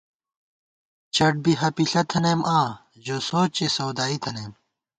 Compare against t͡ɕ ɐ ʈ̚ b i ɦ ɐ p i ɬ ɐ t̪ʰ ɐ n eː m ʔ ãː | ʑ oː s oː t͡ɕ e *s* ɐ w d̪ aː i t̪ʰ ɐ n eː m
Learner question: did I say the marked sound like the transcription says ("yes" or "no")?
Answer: yes